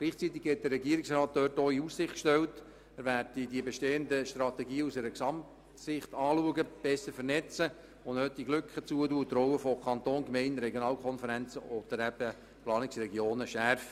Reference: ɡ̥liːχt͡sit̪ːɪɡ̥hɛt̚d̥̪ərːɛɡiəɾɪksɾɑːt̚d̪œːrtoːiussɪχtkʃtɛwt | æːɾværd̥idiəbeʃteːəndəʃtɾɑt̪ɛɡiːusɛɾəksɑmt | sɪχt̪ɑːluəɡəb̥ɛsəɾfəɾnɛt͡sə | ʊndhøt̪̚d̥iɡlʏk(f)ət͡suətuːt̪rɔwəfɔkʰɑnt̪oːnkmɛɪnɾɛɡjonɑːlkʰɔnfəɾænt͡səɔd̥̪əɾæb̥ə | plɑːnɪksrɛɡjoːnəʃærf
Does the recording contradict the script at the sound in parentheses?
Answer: yes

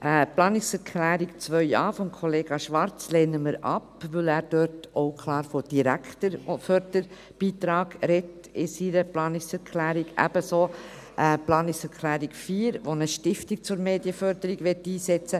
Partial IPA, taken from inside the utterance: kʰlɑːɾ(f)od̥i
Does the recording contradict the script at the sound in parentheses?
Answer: no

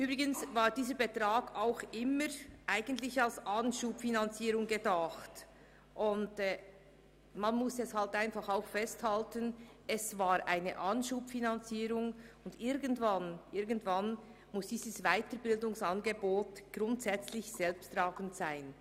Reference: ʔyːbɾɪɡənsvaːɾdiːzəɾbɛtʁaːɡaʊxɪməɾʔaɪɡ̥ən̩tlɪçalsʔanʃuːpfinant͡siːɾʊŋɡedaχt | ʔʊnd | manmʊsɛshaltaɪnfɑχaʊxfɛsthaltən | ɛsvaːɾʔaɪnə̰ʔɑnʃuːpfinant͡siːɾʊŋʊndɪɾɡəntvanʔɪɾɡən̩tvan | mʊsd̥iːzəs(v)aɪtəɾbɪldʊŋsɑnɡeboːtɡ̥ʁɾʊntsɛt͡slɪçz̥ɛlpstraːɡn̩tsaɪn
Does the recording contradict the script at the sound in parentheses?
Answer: no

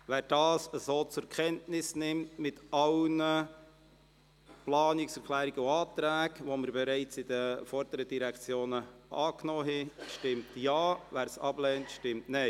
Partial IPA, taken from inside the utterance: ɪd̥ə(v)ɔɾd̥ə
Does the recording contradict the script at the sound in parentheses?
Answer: yes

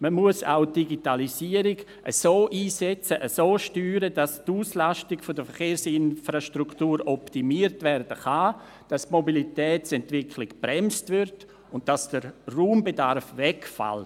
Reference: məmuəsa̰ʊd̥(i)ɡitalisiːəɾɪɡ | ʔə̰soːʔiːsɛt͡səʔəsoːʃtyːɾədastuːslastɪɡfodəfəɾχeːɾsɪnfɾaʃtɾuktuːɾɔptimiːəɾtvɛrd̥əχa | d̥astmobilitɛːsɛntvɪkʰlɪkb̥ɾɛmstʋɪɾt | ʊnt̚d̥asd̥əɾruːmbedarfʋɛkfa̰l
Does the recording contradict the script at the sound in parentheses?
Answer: no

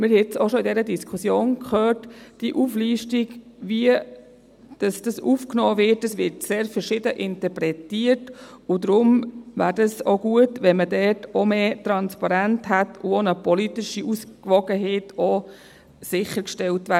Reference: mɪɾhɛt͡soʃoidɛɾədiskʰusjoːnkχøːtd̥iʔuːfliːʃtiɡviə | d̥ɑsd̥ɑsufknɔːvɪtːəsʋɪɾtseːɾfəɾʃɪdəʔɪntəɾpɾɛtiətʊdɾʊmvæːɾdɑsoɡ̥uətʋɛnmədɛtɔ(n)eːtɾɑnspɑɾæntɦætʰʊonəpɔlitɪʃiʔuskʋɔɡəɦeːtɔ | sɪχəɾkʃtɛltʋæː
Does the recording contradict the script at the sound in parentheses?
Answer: yes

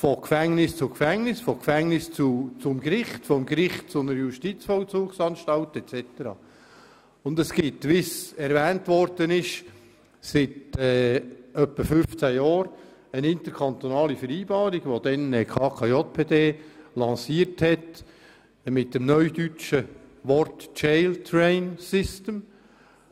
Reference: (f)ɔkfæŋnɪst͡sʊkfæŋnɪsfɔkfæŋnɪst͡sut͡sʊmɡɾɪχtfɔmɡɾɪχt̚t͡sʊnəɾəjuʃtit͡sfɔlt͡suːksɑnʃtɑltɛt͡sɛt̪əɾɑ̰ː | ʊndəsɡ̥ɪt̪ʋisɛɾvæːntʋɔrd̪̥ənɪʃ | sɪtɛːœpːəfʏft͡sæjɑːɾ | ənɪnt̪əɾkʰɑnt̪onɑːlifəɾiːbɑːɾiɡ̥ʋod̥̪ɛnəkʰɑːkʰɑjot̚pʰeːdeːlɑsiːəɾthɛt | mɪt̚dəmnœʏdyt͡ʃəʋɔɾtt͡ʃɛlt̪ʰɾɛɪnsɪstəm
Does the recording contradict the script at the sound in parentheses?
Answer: no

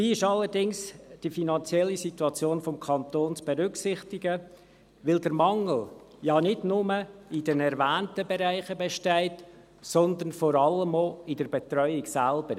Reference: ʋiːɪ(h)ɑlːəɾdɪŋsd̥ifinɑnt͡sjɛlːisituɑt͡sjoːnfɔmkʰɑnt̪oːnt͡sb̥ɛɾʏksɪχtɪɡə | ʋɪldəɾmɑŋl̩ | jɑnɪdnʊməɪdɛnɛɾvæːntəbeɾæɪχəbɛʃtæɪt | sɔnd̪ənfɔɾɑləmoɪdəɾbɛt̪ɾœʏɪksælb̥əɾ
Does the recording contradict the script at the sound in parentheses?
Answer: yes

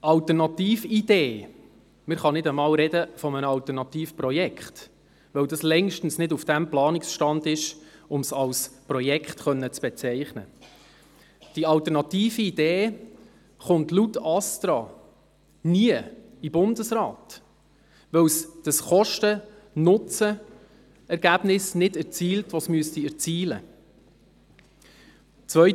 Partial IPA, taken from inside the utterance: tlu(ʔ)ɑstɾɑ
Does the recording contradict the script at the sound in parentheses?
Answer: yes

